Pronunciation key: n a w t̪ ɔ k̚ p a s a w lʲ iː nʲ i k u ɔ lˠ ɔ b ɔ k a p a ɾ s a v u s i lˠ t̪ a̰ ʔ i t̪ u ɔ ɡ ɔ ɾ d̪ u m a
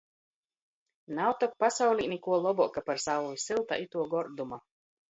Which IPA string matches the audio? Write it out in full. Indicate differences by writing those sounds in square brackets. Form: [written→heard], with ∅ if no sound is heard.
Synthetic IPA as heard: n a w t̪ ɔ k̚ p a s a w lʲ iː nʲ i k u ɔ lˠ ɔ b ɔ k a p a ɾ s a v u s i lˠ t̪ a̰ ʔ i t̪ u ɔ ɡ ɔ ɾ d̪ u m a